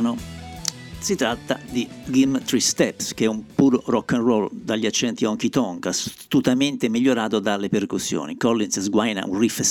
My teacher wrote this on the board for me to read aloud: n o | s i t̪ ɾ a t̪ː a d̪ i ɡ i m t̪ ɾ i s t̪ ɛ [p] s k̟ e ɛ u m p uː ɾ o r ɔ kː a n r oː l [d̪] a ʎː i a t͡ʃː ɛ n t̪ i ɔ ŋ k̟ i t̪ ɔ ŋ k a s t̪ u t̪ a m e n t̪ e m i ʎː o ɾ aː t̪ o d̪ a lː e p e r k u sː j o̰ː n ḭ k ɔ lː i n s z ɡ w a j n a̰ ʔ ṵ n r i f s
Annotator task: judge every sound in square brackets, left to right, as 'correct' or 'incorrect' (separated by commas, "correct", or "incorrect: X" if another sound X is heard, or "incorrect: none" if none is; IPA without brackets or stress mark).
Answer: correct, correct